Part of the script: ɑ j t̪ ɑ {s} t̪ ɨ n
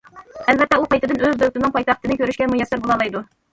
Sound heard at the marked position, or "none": χ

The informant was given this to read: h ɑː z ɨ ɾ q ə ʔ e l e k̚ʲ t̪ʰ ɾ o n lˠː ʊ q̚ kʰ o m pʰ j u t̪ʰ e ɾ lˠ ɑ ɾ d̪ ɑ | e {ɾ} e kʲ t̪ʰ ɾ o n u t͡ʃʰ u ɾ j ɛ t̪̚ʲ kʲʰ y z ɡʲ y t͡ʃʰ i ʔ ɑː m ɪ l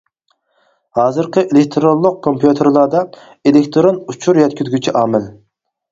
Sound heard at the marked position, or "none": l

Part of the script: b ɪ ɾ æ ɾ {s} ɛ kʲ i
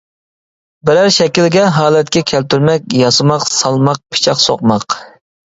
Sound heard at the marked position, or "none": ʃ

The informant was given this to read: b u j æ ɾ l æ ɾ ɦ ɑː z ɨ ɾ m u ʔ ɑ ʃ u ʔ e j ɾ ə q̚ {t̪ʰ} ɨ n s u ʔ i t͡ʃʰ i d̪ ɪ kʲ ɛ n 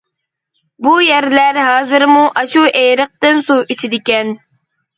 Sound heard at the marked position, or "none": t̪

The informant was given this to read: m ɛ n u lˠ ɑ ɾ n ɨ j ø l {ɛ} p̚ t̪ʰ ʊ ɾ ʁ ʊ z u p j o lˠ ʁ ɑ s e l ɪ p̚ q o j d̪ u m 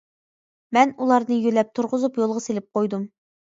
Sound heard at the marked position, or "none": ɛ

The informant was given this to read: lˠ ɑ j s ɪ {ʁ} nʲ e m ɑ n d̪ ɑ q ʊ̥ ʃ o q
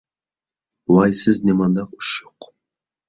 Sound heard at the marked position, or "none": z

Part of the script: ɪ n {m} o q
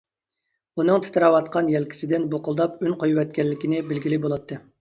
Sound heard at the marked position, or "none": b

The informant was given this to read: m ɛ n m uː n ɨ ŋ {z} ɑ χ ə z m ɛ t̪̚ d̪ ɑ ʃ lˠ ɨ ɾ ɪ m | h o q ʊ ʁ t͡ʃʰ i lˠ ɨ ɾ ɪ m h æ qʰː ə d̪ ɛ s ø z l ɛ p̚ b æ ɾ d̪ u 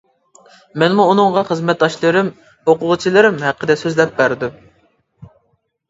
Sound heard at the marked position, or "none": ʁ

